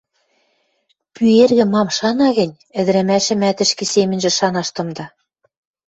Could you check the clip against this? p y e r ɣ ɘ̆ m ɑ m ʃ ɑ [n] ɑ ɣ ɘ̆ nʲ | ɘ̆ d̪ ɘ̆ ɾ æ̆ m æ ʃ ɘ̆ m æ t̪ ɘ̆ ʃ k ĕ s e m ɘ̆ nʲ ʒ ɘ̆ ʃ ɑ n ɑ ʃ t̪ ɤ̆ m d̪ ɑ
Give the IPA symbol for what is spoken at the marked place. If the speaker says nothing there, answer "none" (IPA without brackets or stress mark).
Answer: n